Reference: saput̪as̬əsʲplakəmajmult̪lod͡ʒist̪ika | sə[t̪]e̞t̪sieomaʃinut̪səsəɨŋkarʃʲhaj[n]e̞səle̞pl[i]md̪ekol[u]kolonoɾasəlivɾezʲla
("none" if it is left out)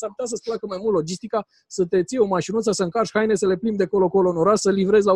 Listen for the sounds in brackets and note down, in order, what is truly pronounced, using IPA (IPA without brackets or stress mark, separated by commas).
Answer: t̪, n, i, o